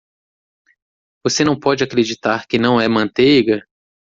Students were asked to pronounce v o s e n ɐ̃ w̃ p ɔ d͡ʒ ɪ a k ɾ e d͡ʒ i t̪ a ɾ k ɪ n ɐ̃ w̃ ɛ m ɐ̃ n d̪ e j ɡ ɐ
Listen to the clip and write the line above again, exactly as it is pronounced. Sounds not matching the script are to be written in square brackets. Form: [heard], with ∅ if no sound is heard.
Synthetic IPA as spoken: v o s e n ɐ̃ w̃ p ɔ d͡ʒ ɪ a k ɾ e d͡ʒ i t̪ a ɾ k ɪ n ɐ̃ w̃ ɛ m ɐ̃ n [t̪] e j ɡ ɐ